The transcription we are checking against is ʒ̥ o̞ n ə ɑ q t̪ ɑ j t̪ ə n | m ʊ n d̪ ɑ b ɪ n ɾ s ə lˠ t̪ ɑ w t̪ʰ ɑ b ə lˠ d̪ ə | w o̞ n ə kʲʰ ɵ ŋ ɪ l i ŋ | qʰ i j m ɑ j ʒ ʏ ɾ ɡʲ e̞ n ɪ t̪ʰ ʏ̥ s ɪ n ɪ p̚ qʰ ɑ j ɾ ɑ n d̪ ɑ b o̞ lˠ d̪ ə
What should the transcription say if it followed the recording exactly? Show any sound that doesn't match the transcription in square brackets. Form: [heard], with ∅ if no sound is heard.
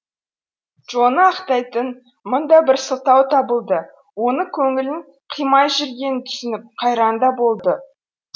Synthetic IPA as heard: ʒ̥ o̞ n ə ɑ q t̪ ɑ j t̪ ə n | m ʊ n d̪ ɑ b ɪ [∅] ɾ s ə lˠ t̪ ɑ w t̪ʰ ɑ b ə lˠ d̪ ə | w o̞ n ə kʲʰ ɵ ŋ ɪ l [ɪ] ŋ | qʰ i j m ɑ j ʒ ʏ ɾ ɡʲ e̞ n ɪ t̪ʰ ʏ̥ s ɪ n ɪ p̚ qʰ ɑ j ɾ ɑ n d̪ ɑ b o̞ lˠ d̪ ə